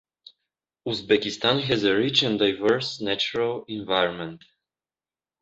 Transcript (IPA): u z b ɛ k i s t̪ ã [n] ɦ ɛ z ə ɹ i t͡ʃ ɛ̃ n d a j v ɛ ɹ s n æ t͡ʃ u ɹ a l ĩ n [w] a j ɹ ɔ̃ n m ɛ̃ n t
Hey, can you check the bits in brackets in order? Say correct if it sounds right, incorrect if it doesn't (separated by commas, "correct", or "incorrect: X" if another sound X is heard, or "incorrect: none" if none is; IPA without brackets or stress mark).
correct, incorrect: v